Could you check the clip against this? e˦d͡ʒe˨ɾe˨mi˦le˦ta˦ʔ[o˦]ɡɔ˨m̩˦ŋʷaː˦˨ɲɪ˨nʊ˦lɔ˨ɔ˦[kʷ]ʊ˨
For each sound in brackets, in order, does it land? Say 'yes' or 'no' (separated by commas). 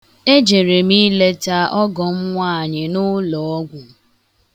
no, no